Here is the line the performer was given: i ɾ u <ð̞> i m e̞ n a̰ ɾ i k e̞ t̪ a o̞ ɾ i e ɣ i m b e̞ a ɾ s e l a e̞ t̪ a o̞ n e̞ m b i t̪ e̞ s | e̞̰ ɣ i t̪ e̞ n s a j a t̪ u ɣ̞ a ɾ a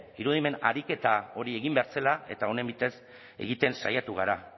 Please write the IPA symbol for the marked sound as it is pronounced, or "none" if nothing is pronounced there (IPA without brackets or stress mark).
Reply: ð̞